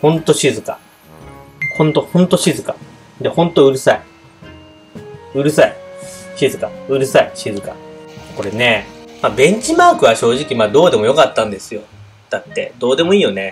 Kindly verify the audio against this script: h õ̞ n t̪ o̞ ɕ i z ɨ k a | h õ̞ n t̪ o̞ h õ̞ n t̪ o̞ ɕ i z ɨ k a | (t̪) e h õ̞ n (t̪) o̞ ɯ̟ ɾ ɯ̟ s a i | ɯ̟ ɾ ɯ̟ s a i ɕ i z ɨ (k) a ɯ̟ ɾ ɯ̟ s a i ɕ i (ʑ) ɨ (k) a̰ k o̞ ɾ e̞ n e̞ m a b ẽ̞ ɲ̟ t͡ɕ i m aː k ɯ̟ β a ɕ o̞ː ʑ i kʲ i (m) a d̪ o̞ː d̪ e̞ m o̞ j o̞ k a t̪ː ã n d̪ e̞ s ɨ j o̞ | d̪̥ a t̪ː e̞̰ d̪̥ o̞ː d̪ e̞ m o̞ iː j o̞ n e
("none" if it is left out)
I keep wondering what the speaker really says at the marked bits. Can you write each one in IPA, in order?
d̪, t̪, k, z, k, m

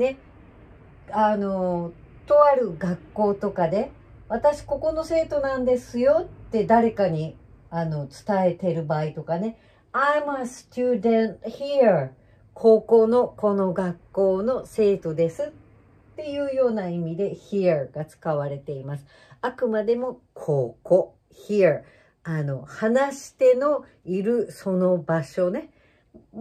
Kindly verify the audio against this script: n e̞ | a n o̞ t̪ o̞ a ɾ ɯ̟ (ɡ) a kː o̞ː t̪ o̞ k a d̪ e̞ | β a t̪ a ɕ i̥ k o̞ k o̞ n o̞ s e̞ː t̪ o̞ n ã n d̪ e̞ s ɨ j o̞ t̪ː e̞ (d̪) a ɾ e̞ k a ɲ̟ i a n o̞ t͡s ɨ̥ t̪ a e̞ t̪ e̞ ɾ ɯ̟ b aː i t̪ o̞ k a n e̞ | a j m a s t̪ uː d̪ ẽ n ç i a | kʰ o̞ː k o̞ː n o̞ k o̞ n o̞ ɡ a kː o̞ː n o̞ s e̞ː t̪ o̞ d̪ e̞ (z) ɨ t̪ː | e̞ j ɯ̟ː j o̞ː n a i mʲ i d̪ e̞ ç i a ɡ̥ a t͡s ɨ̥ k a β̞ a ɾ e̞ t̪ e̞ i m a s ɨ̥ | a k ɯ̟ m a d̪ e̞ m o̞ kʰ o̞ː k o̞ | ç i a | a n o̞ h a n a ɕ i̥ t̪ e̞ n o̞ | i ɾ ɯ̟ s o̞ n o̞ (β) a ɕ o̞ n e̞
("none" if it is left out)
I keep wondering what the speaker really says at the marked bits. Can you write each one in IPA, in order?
ɡ, d̪, s, b

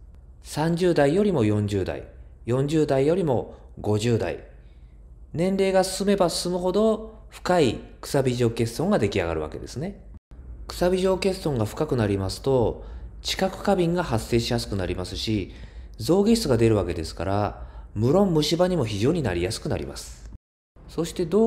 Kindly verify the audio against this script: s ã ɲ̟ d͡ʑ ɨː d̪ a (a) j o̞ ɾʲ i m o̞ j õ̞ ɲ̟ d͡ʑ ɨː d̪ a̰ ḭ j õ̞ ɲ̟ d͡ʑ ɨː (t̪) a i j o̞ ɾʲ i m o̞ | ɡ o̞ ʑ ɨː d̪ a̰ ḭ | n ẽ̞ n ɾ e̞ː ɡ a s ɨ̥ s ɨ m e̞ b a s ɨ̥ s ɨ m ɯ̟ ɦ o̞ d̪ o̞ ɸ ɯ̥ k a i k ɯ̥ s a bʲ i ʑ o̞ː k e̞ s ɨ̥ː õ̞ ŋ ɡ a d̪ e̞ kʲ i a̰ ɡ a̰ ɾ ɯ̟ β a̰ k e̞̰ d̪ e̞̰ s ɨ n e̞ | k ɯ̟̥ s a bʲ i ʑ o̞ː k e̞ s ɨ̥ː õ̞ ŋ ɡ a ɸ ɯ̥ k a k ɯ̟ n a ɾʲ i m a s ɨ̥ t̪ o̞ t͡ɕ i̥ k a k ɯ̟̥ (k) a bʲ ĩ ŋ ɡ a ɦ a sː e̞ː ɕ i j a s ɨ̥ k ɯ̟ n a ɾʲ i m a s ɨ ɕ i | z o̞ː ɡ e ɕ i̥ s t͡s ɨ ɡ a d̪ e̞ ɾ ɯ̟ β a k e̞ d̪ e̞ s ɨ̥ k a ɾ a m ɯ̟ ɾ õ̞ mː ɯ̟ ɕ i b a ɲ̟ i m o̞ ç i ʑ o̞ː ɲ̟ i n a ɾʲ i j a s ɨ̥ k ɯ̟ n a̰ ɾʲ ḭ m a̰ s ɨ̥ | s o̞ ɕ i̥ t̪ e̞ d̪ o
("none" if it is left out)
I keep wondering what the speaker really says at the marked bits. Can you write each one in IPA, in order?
i, d̪, k

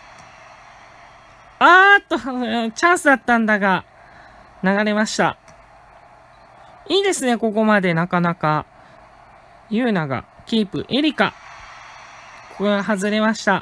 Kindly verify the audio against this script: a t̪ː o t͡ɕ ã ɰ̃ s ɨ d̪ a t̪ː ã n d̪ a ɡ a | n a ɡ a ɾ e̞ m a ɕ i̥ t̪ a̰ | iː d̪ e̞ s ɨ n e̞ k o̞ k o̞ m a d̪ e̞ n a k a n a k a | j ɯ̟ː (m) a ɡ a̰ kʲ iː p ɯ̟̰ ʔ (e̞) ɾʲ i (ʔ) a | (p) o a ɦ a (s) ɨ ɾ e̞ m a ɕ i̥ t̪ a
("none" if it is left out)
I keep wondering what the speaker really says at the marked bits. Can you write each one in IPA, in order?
n, e̞, k, k, z

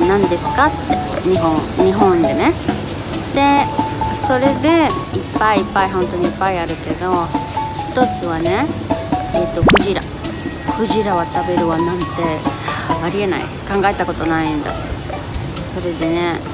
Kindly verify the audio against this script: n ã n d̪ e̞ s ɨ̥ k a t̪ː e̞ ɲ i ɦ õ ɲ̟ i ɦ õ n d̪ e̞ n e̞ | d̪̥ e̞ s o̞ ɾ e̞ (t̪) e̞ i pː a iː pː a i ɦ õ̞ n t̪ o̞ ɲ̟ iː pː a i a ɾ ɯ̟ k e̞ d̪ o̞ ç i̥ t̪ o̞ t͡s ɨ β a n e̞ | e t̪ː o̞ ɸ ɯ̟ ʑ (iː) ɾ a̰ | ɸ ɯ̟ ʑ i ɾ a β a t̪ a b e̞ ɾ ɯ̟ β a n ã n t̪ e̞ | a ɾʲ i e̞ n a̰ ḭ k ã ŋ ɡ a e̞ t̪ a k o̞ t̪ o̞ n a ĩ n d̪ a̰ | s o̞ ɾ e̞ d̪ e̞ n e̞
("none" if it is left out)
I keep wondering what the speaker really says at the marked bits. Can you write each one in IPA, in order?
d̪, i

